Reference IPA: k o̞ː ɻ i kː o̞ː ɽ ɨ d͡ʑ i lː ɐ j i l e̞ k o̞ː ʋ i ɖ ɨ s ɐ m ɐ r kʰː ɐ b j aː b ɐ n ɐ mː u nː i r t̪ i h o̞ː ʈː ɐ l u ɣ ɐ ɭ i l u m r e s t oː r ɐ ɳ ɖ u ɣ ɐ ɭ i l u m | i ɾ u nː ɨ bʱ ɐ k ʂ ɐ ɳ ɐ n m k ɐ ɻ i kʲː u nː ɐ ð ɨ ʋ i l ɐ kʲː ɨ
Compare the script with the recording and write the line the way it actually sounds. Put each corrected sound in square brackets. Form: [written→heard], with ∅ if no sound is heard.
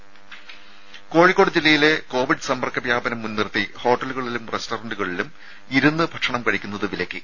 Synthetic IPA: k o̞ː ɻ i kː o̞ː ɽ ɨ d͡ʑ i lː ɐ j i l e̞ k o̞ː ʋ i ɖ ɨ s ɐ m ɐ r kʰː ɐ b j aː b ɐ n ɐ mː u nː i r t̪ i h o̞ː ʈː ɐ l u ɣ ɐ ɭ i l u m r e s t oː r ɐ ɳ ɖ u ɣ ɐ ɭ i l u m | i ɾ u nː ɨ bʱ ɐ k ʂ ɐ ɳ ɐ [n→∅] m k ɐ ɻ i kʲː u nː ɐ ð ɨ ʋ i l ɐ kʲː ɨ